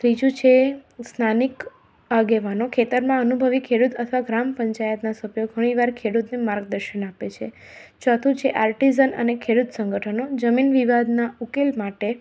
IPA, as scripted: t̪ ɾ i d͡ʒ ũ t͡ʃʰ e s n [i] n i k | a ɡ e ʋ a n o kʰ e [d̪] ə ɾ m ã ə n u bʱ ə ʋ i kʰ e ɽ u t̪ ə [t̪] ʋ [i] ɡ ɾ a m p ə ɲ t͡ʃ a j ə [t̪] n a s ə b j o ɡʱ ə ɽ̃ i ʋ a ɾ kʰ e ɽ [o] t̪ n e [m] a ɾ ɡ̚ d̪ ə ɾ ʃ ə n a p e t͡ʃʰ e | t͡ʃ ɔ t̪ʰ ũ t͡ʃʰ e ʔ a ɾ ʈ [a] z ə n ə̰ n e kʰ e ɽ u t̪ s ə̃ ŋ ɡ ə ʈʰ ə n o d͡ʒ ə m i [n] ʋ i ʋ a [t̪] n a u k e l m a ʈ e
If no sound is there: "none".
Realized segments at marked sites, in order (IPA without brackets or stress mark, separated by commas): a, t̪, t̪ʰ, a, t̪, u, m, i, n, d̪